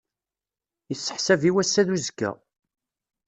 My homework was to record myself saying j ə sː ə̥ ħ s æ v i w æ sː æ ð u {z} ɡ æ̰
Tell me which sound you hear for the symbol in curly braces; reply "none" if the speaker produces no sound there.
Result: z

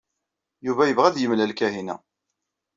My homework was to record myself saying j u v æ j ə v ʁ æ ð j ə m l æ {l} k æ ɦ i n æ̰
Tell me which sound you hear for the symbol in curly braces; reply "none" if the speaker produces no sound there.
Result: l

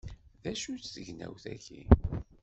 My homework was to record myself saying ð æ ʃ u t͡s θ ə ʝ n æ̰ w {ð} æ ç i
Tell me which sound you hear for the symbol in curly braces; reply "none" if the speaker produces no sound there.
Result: θ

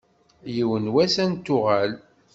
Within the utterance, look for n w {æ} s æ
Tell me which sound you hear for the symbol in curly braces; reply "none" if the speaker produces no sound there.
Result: æ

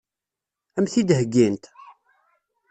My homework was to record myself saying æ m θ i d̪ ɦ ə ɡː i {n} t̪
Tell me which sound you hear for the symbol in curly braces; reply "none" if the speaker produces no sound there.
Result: n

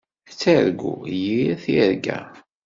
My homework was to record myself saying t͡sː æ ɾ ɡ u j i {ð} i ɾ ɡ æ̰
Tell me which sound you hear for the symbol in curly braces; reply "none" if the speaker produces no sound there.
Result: θ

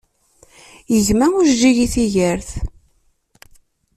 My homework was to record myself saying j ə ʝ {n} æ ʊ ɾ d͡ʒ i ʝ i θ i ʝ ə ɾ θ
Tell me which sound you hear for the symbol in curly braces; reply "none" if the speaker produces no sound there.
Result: m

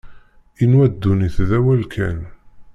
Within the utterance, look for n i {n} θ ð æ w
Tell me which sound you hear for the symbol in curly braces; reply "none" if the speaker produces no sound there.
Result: none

